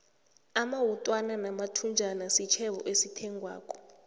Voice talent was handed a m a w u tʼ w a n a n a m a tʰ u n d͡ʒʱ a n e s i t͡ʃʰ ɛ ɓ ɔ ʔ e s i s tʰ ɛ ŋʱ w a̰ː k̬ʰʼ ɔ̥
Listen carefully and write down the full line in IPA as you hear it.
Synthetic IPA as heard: a m a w u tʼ w a n a n a m a tʰ u n d͡ʒʱ a n a s i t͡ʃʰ ɛ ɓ ɔ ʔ e s i tʰ ɛ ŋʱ w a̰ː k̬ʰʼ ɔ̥